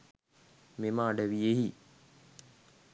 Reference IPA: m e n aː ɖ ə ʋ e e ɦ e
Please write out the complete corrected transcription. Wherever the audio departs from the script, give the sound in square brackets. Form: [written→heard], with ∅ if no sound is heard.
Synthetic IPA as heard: m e [n→m] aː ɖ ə ʋ [e→i] e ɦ [e→i]